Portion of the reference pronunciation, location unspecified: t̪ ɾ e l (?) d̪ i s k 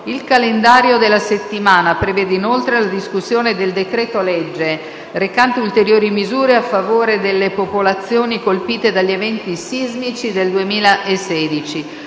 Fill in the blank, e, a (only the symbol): a